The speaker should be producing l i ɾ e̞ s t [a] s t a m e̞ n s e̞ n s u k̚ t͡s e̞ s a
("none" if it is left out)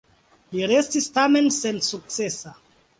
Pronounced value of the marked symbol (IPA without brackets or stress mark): i